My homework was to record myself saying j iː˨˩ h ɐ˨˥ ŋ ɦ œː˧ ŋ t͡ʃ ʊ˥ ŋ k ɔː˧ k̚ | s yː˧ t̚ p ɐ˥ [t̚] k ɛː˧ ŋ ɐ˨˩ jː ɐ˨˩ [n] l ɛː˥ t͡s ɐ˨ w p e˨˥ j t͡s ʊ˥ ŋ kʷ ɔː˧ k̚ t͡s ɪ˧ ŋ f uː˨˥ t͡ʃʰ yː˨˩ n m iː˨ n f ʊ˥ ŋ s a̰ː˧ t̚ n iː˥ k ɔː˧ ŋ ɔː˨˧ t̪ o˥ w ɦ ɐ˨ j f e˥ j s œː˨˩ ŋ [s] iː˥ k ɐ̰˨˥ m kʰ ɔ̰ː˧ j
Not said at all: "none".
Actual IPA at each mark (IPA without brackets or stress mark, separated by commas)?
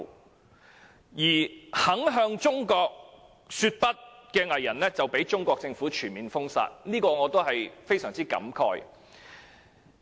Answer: t̚, n, t͡s